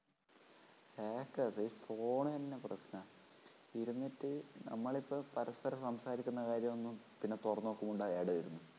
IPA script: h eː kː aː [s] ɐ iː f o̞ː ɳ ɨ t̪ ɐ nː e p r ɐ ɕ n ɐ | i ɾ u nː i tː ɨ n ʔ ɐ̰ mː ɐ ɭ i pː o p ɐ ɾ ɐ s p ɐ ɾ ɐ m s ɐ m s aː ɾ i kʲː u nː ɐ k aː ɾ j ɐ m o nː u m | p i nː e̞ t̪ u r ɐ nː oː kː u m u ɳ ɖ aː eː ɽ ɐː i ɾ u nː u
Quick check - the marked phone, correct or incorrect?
correct